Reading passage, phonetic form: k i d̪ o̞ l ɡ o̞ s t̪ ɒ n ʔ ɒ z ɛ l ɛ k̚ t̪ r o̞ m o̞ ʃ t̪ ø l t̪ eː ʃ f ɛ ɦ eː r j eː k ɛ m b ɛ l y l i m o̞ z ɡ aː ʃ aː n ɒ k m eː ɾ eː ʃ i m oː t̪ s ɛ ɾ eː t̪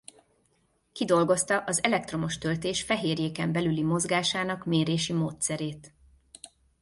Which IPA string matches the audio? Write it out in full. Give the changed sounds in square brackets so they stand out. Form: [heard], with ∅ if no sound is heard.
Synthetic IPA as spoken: k i d̪ o̞ l ɡ o̞ s t̪ ɒ [∅] ʔ ɒ z ɛ l ɛ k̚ t̪ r o̞ m o̞ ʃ t̪ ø l t̪ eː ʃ f ɛ ɦ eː r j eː k ɛ m b ɛ l y l i m o̞ z ɡ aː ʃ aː n ɒ k m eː ɾ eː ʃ i m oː t̪ s ɛ ɾ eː t̪